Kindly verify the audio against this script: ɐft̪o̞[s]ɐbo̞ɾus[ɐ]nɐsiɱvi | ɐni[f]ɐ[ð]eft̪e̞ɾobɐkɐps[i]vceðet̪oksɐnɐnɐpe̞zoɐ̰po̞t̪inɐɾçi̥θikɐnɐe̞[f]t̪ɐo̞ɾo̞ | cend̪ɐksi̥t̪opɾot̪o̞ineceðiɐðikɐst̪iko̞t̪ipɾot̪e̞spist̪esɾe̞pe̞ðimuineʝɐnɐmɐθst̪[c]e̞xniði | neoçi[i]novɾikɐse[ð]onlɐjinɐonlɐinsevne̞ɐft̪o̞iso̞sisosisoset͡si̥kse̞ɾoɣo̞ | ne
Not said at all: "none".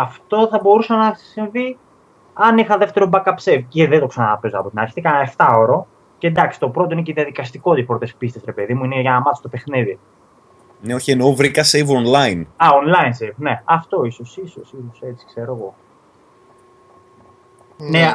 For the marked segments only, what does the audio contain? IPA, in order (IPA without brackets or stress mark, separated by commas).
θ, ɐ, x, ð, e, f, p, e, v